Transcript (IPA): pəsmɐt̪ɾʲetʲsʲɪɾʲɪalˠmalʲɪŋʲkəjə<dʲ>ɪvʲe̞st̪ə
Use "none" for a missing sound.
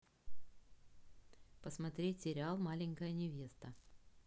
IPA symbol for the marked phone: nʲ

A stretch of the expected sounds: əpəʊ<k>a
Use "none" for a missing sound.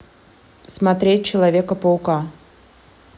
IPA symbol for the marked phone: k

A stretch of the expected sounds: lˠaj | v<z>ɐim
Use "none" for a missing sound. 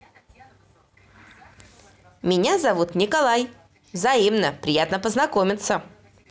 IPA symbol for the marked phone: z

